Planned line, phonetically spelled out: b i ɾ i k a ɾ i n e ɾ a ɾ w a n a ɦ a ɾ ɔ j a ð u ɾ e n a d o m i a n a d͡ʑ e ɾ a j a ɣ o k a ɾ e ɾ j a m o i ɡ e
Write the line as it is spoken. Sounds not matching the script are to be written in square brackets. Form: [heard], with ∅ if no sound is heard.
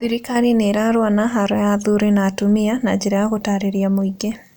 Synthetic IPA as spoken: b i ɾ i k a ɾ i n e ɾ a ɾ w a n a ɦ a ɾ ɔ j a ð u ɾ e n a [t] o m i a n a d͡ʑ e ɾ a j a ɣ o [t] a ɾ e ɾ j a m o i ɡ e